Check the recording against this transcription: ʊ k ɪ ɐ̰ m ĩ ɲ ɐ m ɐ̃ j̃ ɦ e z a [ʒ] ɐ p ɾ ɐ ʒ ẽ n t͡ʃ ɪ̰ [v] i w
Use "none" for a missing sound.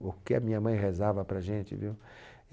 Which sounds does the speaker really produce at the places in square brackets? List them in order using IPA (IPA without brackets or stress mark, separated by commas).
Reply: v, v